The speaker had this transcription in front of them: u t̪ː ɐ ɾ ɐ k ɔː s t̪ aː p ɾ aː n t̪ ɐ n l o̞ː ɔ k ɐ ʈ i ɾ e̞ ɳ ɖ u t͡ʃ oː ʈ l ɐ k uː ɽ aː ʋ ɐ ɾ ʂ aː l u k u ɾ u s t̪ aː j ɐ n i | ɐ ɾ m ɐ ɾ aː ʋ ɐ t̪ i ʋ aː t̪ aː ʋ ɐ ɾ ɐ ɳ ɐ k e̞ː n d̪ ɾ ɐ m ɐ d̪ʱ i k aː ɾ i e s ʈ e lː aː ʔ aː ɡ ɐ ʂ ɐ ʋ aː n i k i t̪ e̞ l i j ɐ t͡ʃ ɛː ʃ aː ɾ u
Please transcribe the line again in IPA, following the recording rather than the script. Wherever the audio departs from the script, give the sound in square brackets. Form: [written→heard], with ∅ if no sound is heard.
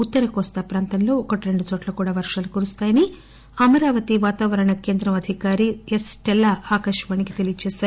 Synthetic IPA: u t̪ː ɐ ɾ ɐ k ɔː s t̪ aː p ɾ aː n t̪ ɐ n l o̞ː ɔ k ɐ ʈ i ɾ e̞ ɳ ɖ u t͡ʃ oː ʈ l ɐ k uː ɽ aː ʋ ɐ ɾ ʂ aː l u k u ɾ u s t̪ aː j ɐ n i | ɐ [ɾ→∅] m ɐ ɾ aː ʋ ɐ t̪ i ʋ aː t̪ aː ʋ ɐ ɾ ɐ ɳ ɐ k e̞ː n d̪ ɾ ɐ m ɐ d̪ʱ i k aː ɾ i e s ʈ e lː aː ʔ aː [ɡ→k] ɐ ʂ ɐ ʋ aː n i k i t̪ e̞ l i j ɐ t͡ʃ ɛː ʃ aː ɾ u

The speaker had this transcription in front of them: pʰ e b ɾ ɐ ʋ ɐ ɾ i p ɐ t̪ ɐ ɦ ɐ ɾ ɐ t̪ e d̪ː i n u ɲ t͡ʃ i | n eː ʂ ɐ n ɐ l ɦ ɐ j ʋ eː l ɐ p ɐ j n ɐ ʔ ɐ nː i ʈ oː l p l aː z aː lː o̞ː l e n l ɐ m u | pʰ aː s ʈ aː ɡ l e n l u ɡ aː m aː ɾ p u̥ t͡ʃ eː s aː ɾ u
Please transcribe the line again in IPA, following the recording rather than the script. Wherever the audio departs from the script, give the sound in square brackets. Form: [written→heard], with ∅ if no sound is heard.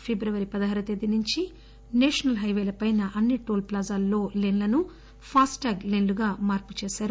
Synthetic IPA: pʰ e b ɾ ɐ ʋ ɐ ɾ i p ɐ [t̪→d̪] ɐ ɦ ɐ ɾ ɐ t̪ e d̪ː i n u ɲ t͡ʃ i | n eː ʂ ɐ n ɐ l ɦ ɐ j ʋ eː l ɐ p ɐ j n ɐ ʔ ɐ nː i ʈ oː l p l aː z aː lː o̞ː l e n l ɐ [m→n] u | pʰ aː s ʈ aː ɡ l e n l u ɡ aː m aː ɾ p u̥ t͡ʃ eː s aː ɾ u

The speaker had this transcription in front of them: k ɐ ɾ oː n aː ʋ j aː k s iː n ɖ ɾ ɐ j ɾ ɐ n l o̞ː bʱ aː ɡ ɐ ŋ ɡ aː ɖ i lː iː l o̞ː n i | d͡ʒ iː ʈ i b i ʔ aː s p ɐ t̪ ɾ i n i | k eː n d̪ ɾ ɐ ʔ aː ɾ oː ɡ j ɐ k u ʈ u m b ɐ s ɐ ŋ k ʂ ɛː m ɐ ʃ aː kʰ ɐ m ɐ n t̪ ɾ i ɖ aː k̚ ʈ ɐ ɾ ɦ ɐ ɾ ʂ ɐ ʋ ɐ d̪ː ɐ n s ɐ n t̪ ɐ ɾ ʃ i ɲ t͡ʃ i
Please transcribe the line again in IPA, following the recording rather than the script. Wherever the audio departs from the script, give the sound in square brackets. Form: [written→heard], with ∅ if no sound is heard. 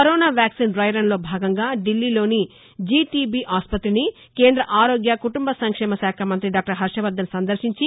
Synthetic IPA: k ɐ ɾ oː n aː ʋ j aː k s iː n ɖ ɾ ɐ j ɾ ɐ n l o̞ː bʱ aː ɡ ɐ ŋ ɡ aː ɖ i lː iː l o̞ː n i | d͡ʒ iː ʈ i b i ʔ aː s p ɐ t̪ ɾ i n i | k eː n d̪ ɾ ɐ ʔ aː ɾ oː ɡ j ɐ k u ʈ u m b ɐ s ɐ ŋ k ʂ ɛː m ɐ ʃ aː kʰ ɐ m ɐ n t̪ ɾ i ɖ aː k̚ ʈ ɐ ɾ ɦ ɐ ɾ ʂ ɐ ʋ ɐ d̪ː ɐ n s ɐ n [t̪→d̪] ɐ ɾ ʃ i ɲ t͡ʃ i

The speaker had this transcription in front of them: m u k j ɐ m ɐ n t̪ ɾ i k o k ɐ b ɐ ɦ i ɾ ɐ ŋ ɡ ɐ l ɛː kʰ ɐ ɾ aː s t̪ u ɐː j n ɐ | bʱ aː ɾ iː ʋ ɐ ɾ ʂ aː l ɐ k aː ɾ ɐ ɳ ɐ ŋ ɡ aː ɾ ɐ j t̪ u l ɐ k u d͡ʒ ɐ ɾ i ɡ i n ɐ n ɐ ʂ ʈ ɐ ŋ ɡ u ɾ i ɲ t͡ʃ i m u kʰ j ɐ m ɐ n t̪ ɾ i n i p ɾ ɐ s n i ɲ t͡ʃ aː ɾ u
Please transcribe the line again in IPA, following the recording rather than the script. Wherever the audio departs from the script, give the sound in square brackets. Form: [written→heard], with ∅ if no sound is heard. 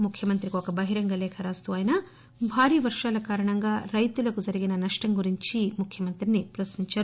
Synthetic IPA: m u [k→kʰ] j ɐ m ɐ n t̪ ɾ i k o k ɐ b ɐ ɦ i ɾ ɐ ŋ ɡ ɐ l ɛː kʰ ɐ ɾ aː s t̪ u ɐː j n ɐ | bʱ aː ɾ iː ʋ ɐ ɾ ʂ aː l ɐ k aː ɾ ɐ ɳ ɐ ŋ ɡ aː ɾ ɐ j t̪ u l ɐ k u d͡ʒ ɐ ɾ i ɡ i n ɐ n ɐ ʂ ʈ ɐ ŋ ɡ u ɾ i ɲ t͡ʃ i m u kʰ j ɐ m ɐ n t̪ ɾ i n i p ɾ ɐ s n i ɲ t͡ʃ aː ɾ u

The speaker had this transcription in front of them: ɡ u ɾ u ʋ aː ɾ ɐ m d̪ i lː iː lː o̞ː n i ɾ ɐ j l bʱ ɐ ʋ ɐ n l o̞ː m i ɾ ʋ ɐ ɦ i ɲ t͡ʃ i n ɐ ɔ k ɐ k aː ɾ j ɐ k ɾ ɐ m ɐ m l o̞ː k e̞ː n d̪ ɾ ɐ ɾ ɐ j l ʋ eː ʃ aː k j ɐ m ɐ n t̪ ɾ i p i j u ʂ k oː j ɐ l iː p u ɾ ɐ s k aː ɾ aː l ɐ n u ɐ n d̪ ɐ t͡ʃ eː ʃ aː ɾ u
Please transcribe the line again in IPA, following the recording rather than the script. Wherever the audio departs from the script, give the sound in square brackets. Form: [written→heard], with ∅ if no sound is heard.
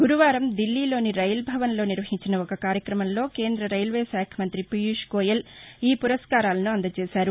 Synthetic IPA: ɡ u ɾ u ʋ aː ɾ ɐ m d̪ i lː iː [lː→l] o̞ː n i ɾ ɐ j l bʱ ɐ ʋ ɐ n l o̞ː [m→n] i ɾ ʋ ɐ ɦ i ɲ t͡ʃ i n ɐ ɔ k ɐ k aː ɾ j ɐ k ɾ ɐ m ɐ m l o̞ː k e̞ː n d̪ ɾ ɐ ɾ ɐ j l ʋ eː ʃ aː [k→kʰ] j ɐ m ɐ n t̪ ɾ i p i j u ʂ k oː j ɐ l iː p u ɾ ɐ s k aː ɾ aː l ɐ n u ɐ n d̪ ɐ t͡ʃ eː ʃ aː ɾ u

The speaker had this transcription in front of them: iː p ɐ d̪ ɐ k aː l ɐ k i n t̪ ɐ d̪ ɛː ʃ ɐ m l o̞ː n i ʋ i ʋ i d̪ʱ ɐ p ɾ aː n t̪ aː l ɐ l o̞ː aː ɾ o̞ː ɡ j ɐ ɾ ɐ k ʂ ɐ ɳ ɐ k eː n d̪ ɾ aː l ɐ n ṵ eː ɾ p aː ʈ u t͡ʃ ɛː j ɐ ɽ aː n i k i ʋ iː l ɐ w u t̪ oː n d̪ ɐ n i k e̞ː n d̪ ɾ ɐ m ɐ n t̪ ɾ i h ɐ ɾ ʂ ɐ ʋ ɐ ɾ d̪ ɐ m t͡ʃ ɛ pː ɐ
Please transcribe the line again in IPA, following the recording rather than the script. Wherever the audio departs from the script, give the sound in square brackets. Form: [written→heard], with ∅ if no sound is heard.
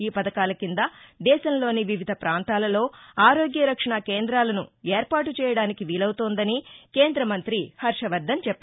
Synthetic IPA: iː p ɐ d̪ ɐ k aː l ɐ k i n [t̪→d̪] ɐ d̪ ɛː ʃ ɐ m l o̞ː n i ʋ i ʋ i d̪ʱ ɐ p ɾ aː n t̪ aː l ɐ l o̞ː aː ɾ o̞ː ɡ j ɐ ɾ ɐ k ʂ ɐ ɳ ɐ k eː n d̪ ɾ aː l ɐ n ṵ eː ɾ p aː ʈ u t͡ʃ ɛː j ɐ ɽ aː n i k i ʋ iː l ɐ w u t̪ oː n d̪ ɐ n i k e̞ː n d̪ ɾ ɐ m ɐ n t̪ ɾ i h ɐ ɾ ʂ ɐ ʋ ɐ ɾ d̪ ɐ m t͡ʃ ɛ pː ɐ

